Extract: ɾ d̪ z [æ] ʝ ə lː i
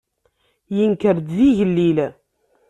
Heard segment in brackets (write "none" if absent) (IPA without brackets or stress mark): i